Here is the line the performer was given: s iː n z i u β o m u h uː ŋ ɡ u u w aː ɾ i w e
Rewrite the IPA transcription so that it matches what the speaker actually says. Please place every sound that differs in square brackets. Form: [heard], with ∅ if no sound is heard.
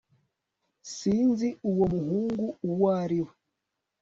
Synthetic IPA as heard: s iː n z i u [w] o m u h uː ŋ ɡ u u w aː ɾ i w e